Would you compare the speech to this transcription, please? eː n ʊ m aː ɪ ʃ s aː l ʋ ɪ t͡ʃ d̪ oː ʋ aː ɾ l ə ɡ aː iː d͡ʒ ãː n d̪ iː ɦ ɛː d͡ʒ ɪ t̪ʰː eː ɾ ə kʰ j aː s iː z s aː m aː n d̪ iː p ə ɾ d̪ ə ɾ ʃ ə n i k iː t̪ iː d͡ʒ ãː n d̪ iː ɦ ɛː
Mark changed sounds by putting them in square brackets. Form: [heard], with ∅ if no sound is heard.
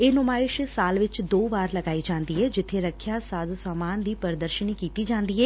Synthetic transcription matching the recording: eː n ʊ m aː ɪ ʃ s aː l ʋ ɪ t͡ʃ d̪ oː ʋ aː ɾ l ə ɡ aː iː d͡ʒ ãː n d̪ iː ɦ ɛː d͡ʒ ɪ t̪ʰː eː ɾ ə kʰ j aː s [aː] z s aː m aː n d̪ iː p ə ɾ d̪ ə ɾ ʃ ə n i k iː t̪ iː d͡ʒ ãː n d̪ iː ɦ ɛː